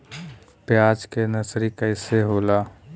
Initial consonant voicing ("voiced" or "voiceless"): voiceless